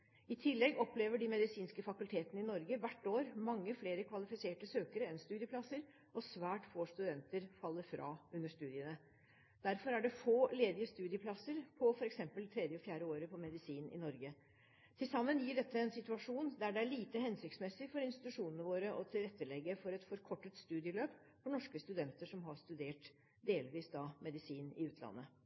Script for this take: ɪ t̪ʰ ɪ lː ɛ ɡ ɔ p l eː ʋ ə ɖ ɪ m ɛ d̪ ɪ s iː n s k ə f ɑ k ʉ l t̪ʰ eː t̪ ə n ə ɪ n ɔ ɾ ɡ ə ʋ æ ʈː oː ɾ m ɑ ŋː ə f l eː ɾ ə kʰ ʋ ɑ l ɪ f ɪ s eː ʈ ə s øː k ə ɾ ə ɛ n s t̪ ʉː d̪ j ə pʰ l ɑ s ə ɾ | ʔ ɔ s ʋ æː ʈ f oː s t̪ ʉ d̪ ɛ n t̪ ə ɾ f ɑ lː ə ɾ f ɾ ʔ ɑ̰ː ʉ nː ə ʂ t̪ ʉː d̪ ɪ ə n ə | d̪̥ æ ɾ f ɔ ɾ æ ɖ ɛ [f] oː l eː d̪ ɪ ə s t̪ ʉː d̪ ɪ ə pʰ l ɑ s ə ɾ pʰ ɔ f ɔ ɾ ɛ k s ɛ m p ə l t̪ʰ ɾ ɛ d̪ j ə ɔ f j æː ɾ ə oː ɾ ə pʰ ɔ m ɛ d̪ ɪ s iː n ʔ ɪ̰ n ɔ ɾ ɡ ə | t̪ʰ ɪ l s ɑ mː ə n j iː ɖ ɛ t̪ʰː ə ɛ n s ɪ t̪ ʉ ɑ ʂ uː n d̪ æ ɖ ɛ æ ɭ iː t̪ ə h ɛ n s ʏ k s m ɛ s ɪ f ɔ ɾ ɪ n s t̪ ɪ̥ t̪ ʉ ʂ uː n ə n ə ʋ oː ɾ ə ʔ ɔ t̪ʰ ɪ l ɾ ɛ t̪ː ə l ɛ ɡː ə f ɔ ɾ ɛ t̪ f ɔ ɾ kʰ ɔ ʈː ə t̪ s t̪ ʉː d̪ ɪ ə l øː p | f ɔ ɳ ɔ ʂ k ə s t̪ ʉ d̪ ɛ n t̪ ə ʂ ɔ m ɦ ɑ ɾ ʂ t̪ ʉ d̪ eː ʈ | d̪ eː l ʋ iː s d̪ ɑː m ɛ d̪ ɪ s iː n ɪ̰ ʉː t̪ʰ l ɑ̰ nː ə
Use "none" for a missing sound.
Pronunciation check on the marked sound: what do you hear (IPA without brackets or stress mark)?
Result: f